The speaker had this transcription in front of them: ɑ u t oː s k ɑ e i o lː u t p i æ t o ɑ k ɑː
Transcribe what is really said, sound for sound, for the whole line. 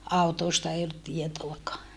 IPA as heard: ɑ u t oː s t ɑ e i o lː u t t i e t o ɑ k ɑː